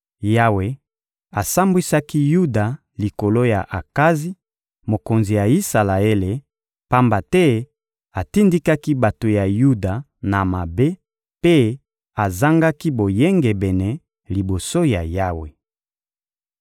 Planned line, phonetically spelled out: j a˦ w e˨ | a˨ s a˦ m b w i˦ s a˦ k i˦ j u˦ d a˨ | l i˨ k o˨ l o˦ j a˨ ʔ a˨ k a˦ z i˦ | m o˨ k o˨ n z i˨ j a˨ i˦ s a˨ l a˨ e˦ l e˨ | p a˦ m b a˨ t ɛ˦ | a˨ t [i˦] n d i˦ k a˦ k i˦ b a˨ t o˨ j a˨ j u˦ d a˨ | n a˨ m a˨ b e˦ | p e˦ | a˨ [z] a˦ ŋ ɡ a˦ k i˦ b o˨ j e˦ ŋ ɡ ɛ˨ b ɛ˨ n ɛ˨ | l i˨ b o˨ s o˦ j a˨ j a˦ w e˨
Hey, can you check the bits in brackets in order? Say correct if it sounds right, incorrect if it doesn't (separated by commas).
correct, correct